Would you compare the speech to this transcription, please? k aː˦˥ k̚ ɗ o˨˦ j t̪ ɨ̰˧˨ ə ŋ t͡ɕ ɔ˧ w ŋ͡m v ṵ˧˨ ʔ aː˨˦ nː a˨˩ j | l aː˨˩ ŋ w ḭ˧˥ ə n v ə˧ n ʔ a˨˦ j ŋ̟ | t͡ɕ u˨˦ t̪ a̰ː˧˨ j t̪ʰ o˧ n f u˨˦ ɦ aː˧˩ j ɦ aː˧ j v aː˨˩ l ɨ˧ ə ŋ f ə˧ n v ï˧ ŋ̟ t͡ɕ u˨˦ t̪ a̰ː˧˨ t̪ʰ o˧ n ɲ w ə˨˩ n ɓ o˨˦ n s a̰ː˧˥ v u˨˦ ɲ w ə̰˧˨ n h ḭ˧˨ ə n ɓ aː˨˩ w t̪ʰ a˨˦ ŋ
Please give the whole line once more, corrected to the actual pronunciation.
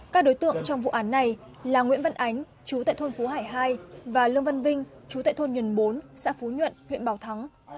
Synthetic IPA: k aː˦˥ k̚ ɗ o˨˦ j t̪ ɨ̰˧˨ ə ŋ t͡ɕ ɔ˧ w ŋ͡m v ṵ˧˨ ʔ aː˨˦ nː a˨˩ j | l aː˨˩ ŋ w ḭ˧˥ ə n v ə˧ n ʔ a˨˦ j ŋ̟ | t͡ɕ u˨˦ t̪ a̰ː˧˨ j t̪ʰ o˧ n f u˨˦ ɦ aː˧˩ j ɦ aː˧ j v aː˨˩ l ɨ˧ ə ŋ v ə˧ n v ï˧ ŋ̟ t͡ɕ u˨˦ t̪ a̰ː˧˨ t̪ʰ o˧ n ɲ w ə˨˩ n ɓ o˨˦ n s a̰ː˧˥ f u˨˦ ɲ w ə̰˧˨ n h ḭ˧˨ ə n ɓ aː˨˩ w t̪ʰ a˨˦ ŋ